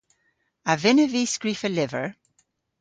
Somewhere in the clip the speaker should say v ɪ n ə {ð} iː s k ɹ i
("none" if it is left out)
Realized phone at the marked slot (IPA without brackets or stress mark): v